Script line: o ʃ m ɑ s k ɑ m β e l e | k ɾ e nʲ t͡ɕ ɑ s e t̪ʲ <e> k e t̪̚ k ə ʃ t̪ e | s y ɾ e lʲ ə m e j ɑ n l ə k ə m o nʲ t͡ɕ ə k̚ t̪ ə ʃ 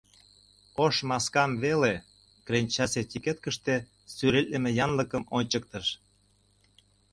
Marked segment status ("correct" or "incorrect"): incorrect